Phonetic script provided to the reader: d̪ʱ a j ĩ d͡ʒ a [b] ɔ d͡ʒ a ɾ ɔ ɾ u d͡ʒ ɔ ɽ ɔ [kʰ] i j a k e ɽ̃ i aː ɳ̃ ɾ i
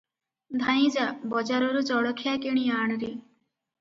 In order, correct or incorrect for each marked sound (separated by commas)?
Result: correct, correct